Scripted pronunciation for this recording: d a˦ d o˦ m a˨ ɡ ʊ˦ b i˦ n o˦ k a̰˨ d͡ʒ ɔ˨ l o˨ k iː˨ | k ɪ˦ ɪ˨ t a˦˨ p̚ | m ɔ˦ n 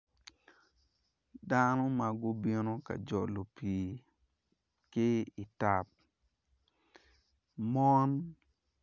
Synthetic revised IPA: d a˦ n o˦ m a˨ ɡ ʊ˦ b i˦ n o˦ k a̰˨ d͡ʒ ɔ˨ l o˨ p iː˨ | k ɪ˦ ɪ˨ t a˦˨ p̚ | m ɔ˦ n